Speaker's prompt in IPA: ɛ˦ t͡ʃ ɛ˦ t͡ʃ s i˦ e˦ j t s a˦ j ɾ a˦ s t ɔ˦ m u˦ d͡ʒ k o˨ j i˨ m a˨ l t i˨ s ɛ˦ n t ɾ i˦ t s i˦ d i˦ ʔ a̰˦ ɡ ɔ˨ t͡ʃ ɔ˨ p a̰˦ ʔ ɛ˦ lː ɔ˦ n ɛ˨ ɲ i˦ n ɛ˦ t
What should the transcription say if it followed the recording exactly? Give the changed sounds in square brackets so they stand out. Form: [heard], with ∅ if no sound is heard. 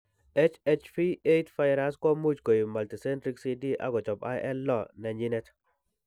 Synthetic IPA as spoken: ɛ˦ t͡ʃ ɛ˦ t͡ʃ [f] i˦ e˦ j t [f] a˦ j ɾ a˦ s [k] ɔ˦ m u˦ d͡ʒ k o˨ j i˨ m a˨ l t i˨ s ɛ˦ n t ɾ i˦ [k] s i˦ d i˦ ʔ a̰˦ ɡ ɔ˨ t͡ʃ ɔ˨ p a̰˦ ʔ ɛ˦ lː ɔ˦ n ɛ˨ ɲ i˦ n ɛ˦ t